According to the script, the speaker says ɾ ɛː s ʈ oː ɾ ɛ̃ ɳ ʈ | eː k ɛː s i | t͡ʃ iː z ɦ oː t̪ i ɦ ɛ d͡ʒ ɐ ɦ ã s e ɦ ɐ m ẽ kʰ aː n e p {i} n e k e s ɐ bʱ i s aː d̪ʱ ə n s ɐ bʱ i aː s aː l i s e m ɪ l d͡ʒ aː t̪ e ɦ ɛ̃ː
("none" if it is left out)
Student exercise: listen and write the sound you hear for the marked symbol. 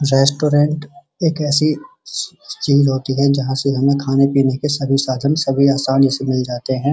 iː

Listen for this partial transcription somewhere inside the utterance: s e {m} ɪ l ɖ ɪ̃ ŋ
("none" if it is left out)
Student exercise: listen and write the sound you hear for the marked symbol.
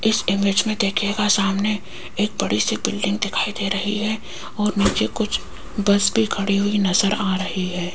b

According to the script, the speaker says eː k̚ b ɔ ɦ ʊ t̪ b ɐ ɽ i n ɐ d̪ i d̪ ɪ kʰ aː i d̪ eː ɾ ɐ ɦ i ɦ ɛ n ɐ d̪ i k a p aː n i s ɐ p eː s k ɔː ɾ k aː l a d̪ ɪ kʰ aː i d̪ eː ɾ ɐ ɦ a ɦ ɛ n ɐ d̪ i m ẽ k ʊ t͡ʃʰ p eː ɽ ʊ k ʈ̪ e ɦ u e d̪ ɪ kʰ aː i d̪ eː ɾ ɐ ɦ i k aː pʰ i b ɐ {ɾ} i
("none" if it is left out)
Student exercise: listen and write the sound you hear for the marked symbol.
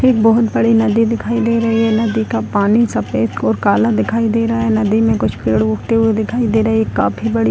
ɽ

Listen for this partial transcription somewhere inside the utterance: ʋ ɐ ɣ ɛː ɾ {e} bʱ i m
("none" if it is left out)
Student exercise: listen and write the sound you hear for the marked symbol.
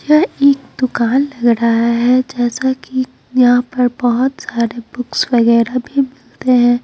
a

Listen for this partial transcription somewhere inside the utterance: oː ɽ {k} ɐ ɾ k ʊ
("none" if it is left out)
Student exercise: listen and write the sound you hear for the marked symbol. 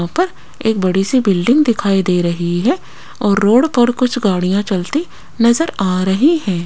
p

